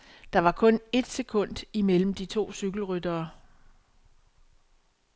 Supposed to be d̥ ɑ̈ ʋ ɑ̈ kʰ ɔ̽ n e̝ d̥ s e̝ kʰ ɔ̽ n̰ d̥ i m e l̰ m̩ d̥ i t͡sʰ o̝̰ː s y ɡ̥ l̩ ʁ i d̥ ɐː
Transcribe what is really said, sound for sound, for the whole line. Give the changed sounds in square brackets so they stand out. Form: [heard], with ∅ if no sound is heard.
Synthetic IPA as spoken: d̥ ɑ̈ ʋ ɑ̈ kʰ ɔ̽ n e̝ d̥ s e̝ kʰ ɔ̽ n̰ d̥ i m e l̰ m̩ d̥ i t͡sʰ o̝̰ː s y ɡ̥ l̩ ʁ [y] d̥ ɐː